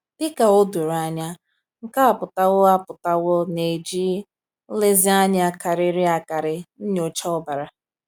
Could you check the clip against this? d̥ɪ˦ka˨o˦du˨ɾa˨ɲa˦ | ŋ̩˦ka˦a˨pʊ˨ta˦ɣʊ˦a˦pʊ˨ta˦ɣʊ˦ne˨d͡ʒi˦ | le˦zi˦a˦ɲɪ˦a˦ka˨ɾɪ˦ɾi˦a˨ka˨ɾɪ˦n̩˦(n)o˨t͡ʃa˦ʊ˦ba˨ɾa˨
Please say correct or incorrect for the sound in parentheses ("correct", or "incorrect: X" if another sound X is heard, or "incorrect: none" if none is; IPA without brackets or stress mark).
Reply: incorrect: ɲ